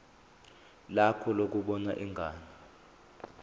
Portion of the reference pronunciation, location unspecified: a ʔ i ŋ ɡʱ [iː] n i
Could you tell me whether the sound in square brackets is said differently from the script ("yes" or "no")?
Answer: yes